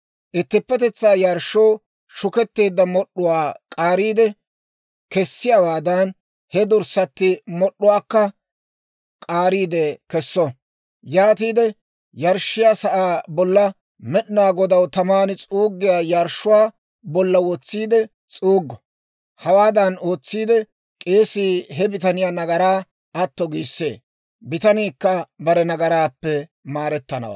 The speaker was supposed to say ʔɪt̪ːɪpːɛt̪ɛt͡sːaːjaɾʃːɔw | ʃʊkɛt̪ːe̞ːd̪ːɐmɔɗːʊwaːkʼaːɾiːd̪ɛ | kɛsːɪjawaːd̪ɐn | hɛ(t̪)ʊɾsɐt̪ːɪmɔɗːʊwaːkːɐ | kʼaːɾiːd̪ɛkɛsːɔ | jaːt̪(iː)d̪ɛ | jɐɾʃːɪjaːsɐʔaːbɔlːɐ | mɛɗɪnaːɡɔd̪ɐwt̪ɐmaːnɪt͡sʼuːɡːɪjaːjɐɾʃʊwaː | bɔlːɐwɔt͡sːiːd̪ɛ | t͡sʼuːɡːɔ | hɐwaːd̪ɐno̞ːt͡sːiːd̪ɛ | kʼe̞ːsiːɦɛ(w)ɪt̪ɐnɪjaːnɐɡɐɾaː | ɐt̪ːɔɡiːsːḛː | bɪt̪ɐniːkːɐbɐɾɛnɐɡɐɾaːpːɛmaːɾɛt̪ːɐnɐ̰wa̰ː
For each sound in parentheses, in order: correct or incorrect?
incorrect: d̪, correct, incorrect: b

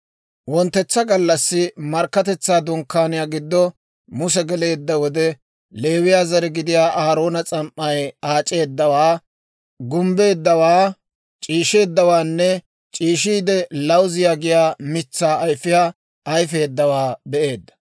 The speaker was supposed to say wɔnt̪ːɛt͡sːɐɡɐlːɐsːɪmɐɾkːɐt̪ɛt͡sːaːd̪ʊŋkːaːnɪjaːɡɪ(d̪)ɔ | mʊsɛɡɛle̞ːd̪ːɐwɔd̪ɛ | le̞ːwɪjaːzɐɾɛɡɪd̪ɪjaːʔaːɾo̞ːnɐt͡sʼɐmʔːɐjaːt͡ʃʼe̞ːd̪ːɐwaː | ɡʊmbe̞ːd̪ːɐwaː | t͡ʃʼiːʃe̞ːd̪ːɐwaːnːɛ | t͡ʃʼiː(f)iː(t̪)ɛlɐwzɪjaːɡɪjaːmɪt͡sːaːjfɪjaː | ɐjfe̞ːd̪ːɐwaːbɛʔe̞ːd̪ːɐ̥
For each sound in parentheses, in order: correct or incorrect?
incorrect: d̪ː, incorrect: ʃ, incorrect: d̪

